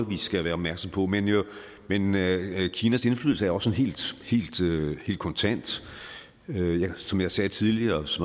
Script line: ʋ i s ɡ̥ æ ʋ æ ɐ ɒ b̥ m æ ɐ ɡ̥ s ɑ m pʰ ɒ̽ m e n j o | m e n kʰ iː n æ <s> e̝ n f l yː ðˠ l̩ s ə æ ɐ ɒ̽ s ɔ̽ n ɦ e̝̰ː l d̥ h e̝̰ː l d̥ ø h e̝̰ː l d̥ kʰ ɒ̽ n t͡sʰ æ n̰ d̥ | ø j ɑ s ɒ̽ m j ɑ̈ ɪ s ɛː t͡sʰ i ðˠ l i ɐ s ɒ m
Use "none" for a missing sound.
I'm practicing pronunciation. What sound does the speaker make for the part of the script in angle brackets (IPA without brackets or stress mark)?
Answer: s